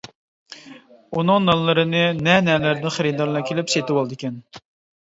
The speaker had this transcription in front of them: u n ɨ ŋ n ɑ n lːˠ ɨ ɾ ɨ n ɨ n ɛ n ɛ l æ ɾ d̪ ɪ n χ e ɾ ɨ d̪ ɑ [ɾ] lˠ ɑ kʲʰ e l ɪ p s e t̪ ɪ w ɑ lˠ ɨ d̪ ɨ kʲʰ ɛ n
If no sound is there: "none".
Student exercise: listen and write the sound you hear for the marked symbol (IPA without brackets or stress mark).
ɾ